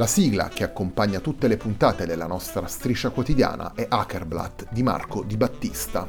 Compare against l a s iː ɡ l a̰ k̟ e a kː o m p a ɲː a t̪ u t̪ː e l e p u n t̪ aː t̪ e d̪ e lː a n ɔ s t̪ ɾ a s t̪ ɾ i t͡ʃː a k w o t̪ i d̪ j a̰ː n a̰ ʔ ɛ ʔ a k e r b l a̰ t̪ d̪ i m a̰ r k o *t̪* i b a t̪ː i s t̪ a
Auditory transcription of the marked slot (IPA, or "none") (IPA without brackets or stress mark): d̪